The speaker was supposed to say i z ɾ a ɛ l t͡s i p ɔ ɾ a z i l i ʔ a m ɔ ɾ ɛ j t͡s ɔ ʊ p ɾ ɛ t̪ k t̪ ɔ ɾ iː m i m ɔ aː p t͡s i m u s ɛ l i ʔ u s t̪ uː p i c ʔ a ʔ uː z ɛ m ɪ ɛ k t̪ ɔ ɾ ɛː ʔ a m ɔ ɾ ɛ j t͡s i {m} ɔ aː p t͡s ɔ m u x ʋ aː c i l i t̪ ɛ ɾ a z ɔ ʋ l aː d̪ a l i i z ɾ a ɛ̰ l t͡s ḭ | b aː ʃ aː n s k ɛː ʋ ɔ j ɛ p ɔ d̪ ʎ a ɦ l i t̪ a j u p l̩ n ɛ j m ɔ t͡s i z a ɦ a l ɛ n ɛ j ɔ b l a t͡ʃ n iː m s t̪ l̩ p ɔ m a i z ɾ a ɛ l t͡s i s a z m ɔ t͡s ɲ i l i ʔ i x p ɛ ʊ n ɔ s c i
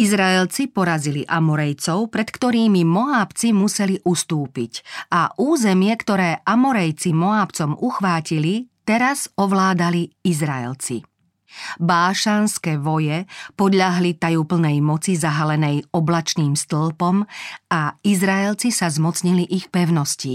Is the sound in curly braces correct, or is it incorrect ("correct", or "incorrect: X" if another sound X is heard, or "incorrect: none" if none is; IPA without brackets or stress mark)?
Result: correct